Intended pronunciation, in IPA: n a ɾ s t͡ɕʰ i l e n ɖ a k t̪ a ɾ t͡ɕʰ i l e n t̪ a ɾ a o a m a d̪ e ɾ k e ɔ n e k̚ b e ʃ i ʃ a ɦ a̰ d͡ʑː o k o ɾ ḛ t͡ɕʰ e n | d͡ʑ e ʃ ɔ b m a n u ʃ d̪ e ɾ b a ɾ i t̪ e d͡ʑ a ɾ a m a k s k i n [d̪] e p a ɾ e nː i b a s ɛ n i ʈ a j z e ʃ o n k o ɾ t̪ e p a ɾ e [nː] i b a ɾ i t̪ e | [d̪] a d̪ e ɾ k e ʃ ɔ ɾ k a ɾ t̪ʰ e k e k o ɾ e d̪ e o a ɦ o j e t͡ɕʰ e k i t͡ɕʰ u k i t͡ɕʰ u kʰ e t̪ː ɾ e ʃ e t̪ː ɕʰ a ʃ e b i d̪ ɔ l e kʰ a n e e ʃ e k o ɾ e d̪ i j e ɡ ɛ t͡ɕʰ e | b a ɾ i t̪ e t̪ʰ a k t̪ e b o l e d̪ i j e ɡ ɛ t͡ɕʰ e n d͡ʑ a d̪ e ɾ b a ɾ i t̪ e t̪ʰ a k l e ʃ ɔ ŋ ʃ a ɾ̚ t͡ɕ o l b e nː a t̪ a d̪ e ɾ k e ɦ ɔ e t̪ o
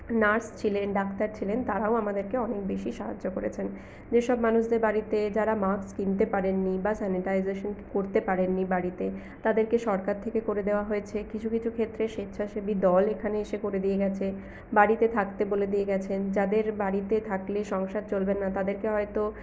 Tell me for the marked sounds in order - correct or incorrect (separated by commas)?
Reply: incorrect, correct, incorrect